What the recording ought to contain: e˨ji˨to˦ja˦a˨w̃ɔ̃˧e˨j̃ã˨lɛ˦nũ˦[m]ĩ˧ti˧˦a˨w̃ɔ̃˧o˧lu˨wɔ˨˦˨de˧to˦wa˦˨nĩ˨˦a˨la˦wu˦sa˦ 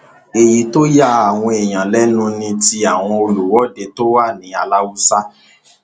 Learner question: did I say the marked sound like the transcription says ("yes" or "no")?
no